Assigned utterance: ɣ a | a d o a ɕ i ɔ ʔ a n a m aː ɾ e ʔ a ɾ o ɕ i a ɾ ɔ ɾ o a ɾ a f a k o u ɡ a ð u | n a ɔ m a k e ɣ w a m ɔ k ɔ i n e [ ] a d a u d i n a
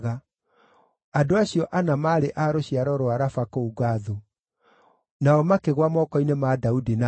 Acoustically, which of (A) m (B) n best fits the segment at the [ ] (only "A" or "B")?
A